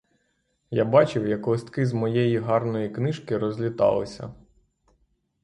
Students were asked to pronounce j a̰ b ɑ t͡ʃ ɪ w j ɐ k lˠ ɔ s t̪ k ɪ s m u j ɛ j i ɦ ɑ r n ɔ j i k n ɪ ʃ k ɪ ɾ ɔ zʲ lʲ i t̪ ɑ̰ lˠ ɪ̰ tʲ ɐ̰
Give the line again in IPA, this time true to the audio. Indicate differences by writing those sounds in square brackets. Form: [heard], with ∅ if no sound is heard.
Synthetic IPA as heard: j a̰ b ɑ t͡ʃ ɪ w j ɐ k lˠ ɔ s t̪ k ɪ [z] m [ɔ] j ɛ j i ɦ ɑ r n ɔ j i k n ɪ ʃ k ɪ ɾ ɔ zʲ lʲ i t̪ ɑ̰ lˠ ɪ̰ [sʲ] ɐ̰

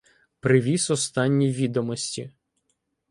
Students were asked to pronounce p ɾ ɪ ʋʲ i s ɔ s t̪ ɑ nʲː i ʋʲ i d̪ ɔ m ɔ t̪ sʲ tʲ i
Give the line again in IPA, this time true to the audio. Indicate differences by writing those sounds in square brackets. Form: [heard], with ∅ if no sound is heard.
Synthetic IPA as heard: p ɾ ɪ ʋʲ i s ɔ s t̪ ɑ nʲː i ʋʲ i d̪ ɔ m ɔ [∅] sʲ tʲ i

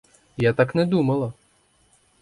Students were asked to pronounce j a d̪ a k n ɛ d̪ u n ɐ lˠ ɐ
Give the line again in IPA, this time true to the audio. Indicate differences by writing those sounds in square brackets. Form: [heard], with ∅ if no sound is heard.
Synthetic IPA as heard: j a [t̪] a k n ɛ d̪ u [m] ɐ lˠ ɐ

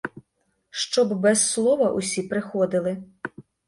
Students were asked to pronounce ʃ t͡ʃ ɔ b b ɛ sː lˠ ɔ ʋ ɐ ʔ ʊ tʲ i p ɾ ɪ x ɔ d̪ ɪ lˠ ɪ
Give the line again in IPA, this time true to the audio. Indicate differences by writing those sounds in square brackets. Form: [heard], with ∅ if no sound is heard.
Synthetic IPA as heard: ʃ t͡ʃ ɔ b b ɛ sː lˠ ɔ ʋ ɐ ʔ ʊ [sʲ] i p ɾ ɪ x ɔ d̪ ɪ lˠ ɪ

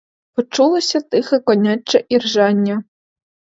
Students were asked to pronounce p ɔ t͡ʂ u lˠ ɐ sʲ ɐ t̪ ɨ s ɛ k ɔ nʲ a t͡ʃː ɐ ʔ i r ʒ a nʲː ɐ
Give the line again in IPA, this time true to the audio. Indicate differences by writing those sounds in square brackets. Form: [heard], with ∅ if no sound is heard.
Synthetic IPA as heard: p ɔ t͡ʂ u lˠ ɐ sʲ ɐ t̪ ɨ [x] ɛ k ɔ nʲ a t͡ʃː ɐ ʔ i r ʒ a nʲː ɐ

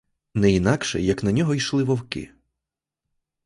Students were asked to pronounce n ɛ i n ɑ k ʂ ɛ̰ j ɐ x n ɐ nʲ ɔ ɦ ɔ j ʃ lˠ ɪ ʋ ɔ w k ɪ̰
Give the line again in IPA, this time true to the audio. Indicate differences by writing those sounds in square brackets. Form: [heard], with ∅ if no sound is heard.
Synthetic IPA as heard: n ɛ i n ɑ k [ʃ] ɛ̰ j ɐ [k] n ɐ nʲ ɔ ɦ ɔ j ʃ lˠ ɪ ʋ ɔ w k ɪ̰

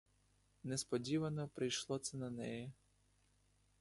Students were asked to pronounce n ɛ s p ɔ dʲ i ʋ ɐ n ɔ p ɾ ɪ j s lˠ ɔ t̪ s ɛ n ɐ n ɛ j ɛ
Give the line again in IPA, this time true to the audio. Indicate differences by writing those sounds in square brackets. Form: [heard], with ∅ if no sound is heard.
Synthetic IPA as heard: n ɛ s p ɔ dʲ i ʋ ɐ n ɔ p ɾ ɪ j [ʃ] lˠ ɔ t̪ s ɛ n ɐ n ɛ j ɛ

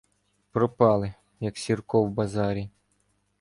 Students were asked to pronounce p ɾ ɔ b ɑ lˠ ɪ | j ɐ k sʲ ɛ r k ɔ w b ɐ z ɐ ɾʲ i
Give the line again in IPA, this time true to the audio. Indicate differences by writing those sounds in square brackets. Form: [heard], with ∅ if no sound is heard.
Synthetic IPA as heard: p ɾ ɔ [p] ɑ lˠ ɪ | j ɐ k sʲ [i] r k ɔ w b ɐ z [ɑ] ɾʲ i

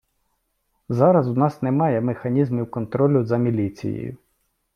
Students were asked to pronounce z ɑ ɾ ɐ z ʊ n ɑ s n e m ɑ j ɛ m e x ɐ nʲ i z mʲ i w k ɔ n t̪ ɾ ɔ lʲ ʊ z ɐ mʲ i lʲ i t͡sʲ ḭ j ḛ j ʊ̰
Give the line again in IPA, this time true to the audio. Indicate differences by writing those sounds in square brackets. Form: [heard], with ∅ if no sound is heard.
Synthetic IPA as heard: z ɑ ɾ ɐ z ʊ n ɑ s n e m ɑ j ɛ m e x ɐ nʲ i z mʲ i w k ɔ n t̪ ɾ ɔ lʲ ʊ z ɐ mʲ i lʲ i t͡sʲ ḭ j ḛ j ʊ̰

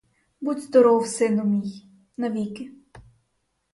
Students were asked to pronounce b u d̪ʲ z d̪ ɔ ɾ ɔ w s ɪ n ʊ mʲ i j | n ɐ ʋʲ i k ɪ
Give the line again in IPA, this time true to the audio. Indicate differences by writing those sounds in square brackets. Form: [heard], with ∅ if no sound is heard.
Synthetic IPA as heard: b u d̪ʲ z d̪ ɔ ɾ ɔ w s ɪ n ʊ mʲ i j | n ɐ ʋʲ i k ɪ

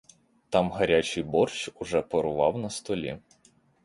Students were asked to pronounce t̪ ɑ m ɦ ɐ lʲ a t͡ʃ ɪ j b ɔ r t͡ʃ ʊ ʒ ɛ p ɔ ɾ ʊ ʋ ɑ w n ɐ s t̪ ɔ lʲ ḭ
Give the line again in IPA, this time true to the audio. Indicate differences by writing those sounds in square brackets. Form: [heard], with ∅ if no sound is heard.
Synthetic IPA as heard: t̪ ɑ m ɦ ɐ [ɾʲ] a t͡ʃ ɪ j b ɔ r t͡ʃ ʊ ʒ ɛ p ɔ ɾ ʊ ʋ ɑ w n ɐ s t̪ ɔ lʲ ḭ

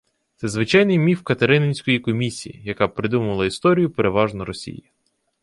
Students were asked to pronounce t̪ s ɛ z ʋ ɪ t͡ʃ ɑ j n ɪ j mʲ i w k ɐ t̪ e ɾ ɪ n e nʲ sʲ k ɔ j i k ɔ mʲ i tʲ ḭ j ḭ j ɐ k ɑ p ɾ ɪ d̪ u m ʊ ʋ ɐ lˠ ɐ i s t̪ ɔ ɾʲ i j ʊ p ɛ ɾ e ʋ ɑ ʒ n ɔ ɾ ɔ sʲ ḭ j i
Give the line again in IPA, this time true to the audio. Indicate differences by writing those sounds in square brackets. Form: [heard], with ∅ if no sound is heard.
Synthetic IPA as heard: t̪ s ɛ z ʋ ɪ t͡ʃ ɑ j n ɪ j mʲ i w k ɐ t̪ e ɾ ɪ n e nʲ sʲ k ɔ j i k ɔ mʲ i [sʲ] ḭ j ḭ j ɐ k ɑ p ɾ ɪ d̪ u m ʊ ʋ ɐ lˠ ɐ i s t̪ ɔ ɾʲ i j ʊ p [e] ɾ e ʋ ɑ ʒ n ɔ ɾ ɔ sʲ ḭ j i

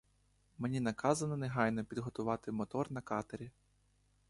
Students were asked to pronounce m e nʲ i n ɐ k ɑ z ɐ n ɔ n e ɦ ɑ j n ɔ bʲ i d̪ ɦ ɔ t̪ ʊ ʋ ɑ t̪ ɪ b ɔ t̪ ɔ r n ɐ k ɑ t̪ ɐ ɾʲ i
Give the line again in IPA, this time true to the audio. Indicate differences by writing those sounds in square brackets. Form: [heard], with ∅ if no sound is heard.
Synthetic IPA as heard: m e nʲ i n ɐ k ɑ z ɐ n ɔ n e ɦ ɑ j n ɔ [pʲ] i d̪ ɦ ɔ t̪ ʊ ʋ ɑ t̪ ɪ [m] ɔ t̪ ɔ r n ɐ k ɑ t̪ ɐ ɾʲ i

